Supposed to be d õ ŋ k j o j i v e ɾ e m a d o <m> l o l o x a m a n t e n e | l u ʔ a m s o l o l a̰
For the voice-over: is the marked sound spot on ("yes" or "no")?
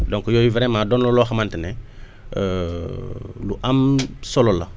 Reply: no